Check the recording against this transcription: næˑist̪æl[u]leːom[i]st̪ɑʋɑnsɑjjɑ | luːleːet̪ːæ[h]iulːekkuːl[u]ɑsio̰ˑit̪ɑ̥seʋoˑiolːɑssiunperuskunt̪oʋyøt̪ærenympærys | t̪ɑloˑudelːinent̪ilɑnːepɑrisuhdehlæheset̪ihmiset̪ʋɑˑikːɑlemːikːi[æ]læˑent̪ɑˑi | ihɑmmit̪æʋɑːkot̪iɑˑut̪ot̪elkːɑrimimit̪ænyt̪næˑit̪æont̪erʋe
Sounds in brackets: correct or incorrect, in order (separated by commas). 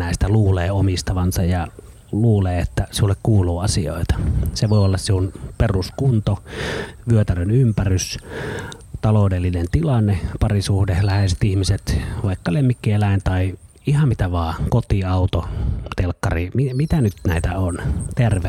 incorrect, correct, incorrect, incorrect, incorrect